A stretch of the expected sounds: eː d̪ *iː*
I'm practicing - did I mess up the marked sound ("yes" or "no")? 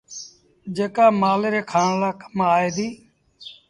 no